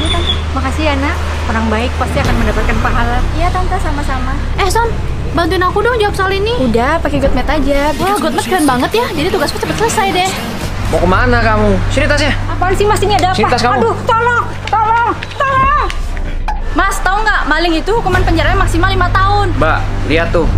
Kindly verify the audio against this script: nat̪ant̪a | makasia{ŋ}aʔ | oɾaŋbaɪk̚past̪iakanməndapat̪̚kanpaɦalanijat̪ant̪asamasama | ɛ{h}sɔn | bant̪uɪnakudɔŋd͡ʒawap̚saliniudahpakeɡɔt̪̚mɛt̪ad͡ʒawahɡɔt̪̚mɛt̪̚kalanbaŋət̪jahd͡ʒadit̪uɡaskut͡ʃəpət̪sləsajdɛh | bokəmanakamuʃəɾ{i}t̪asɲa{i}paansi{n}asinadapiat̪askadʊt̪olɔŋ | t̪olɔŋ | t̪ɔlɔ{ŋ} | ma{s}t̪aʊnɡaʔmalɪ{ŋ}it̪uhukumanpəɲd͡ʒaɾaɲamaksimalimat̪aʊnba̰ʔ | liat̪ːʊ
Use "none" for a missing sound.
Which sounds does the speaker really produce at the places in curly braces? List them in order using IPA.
n, h, i, a, m, ŋ, s, ŋ

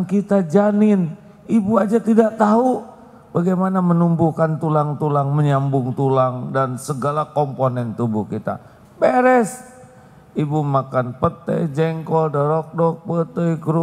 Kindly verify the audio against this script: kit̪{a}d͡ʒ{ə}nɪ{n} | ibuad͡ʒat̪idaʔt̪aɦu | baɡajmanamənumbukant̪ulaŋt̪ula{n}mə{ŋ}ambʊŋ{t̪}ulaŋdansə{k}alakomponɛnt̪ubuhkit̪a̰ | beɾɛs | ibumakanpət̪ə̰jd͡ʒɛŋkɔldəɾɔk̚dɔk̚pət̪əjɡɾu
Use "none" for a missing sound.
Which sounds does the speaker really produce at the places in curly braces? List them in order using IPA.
a, a, n, ŋ, ɲ, t̪, ɡ

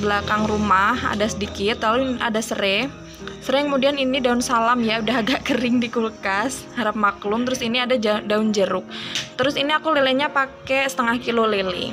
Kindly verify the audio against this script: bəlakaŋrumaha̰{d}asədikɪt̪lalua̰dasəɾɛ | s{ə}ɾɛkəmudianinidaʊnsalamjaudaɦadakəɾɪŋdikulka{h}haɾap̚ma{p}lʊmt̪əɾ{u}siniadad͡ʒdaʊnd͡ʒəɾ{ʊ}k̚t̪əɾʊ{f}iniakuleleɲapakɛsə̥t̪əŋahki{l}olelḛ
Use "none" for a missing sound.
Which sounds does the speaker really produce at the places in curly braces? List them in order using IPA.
d, ə, s, k, ʊ, ʊ, s, l

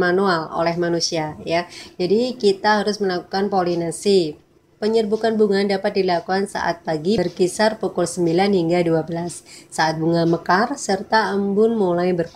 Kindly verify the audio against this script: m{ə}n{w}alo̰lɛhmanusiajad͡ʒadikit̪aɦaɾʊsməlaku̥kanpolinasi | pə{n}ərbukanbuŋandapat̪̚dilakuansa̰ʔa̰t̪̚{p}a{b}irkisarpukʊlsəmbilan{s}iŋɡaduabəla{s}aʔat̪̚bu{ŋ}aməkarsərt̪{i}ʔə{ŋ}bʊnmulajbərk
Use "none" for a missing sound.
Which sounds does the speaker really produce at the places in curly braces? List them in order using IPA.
a, u, ɲ, p, ɡ, h, sː, ŋ, a, m

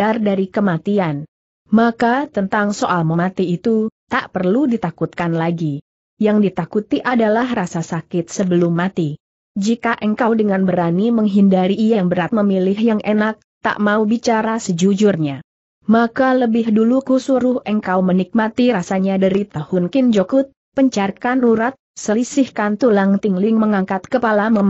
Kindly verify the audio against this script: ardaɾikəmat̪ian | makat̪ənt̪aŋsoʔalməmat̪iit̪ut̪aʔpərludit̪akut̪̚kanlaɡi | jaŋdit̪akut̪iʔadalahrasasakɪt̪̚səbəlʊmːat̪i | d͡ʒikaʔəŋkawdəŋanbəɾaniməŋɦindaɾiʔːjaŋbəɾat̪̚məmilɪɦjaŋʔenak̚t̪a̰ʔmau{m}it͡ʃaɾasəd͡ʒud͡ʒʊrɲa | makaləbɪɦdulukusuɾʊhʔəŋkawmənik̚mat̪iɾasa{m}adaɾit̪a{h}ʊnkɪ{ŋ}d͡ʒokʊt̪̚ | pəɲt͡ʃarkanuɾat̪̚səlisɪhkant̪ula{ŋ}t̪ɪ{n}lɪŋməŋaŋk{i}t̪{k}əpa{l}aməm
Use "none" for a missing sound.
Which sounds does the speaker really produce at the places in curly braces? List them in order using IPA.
b, ɲ, h, n, ŋ, ŋ, a, k, l

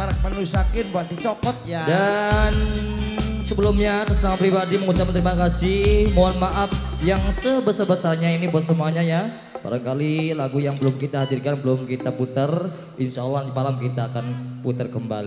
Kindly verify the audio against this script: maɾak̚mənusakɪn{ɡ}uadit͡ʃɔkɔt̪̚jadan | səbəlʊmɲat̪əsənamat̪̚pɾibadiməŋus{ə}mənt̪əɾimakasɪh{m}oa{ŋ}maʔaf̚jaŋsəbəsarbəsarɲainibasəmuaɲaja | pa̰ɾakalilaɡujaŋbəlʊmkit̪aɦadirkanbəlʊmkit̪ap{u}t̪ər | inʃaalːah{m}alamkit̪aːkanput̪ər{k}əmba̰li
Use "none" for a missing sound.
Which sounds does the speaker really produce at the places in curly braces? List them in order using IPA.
b, a, m, n, u, m, k

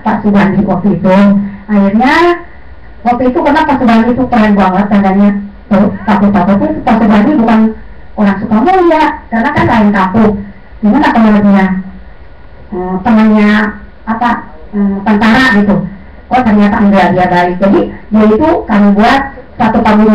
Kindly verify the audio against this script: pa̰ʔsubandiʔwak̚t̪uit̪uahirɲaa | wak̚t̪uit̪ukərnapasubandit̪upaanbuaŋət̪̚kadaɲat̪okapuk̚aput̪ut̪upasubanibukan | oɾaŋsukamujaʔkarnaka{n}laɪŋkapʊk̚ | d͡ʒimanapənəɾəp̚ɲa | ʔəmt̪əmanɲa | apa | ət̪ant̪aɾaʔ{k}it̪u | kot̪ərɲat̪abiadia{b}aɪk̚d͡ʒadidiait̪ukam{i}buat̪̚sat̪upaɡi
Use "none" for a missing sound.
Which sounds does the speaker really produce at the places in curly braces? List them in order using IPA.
n, ɡ, b, i

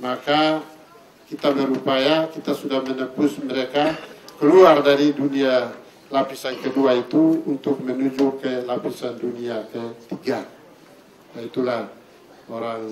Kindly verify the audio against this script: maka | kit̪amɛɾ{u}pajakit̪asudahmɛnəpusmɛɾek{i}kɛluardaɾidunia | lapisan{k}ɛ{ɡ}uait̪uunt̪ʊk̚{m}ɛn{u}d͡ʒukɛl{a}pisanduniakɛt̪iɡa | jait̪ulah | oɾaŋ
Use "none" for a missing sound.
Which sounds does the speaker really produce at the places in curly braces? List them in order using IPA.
u, a, k, d, m, u, a

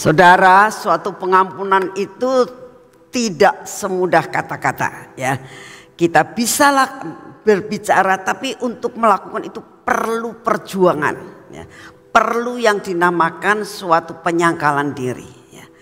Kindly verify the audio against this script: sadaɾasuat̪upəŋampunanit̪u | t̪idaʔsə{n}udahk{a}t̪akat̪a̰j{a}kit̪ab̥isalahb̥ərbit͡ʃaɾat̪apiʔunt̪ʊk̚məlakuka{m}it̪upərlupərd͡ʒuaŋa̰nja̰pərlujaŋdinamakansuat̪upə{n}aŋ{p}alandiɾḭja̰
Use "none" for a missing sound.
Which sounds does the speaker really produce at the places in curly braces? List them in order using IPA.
m, a, a, n, ɲ, k

